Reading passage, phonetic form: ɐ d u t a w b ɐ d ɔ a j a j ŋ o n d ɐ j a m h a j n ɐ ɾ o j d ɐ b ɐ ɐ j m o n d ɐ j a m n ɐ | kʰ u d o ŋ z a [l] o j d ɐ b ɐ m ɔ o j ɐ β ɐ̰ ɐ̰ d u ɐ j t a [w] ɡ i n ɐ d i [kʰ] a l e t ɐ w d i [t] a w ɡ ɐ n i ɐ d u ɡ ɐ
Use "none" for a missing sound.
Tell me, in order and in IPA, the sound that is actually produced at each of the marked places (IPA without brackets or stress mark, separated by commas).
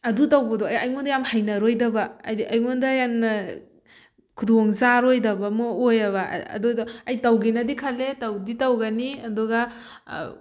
ɾ, w, kʰ, t